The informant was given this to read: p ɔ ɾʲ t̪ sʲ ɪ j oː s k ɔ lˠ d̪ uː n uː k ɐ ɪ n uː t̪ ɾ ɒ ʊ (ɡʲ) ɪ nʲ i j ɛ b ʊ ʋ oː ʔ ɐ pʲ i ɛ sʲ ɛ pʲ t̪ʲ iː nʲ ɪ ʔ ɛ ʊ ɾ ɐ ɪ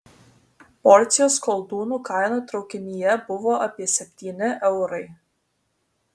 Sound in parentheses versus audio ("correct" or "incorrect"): incorrect